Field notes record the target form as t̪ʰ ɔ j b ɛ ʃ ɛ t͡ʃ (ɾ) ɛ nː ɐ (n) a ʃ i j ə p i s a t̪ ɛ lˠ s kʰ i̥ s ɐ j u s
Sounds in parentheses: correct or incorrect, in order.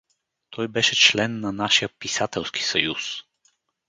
incorrect: l, correct

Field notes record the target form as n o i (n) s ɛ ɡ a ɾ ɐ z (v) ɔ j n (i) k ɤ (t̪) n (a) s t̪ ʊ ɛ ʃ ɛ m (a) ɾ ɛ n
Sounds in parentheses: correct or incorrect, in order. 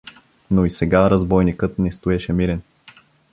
incorrect: none, incorrect: b, correct, correct, incorrect: ɛ, incorrect: i

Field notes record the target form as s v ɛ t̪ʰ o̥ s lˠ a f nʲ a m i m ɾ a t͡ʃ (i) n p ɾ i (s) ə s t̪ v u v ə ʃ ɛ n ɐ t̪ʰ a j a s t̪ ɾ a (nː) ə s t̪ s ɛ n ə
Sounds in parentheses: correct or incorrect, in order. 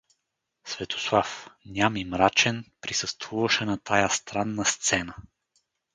incorrect: ɛ, correct, correct

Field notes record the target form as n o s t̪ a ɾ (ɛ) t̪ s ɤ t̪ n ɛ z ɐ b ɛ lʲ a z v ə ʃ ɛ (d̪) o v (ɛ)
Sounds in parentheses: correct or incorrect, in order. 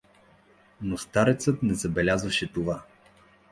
correct, incorrect: t̪, incorrect: a

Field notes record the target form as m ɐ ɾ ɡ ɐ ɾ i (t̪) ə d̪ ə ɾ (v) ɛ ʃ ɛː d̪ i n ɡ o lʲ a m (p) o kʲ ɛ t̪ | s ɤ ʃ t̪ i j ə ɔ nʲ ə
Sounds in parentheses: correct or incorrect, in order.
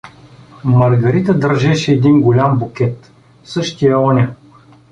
correct, incorrect: ʒ, incorrect: b

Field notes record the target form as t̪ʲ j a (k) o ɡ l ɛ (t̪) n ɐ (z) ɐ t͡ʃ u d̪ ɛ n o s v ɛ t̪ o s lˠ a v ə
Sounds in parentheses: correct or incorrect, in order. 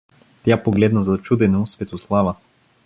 incorrect: p, incorrect: d̪, correct

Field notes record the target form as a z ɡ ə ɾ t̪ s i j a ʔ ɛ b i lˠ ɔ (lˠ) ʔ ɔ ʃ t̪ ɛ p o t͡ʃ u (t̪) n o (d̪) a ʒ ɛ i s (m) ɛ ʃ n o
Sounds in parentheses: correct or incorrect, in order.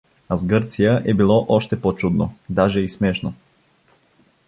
incorrect: none, incorrect: d̪, correct, correct

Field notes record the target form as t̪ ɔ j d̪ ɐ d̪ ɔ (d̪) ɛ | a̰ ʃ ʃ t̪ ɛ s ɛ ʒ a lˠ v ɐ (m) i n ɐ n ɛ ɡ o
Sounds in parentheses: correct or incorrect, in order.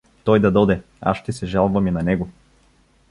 correct, correct

